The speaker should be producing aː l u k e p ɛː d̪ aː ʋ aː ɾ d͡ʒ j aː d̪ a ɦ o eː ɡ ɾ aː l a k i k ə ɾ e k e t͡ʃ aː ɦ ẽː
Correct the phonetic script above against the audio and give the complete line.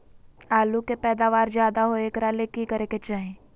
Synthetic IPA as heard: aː l u k e p ɛː d̪ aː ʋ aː ɾ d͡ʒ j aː d̪ a ɦ o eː k ɾ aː l e k i k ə ɾ e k e t͡ʃ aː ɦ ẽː